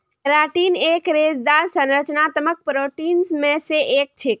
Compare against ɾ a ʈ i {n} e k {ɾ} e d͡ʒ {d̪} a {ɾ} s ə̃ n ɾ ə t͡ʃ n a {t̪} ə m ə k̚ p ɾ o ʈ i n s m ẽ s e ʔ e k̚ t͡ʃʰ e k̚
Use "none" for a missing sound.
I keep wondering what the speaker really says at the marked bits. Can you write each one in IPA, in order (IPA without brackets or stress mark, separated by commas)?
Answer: n, ɾ, d̪, ɾ, t̪